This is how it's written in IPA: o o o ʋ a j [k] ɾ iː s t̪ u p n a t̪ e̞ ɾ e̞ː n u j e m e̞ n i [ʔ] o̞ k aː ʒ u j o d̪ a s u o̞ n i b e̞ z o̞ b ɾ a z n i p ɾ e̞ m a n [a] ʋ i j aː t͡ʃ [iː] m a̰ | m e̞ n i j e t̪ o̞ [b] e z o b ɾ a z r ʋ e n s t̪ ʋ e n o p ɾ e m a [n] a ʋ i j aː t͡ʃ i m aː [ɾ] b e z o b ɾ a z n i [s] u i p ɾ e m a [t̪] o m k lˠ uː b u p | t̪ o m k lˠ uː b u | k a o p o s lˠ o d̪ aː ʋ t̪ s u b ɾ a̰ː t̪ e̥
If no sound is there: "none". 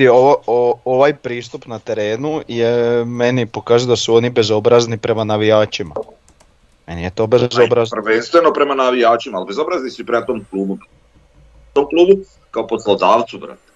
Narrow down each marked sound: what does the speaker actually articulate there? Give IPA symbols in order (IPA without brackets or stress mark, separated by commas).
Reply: p, p, a, i, b, n, l, s, t̪